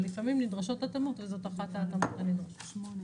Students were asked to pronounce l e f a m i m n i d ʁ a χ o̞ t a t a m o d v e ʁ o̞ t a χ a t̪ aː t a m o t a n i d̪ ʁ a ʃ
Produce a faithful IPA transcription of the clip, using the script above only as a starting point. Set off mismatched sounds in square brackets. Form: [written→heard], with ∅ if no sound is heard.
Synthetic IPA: l [e→i] f a m i m n i d ʁ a [χ→ʃ] o̞ t a t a m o [d→t] v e [ʁ→z] o̞ t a χ a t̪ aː t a m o t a n i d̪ ʁ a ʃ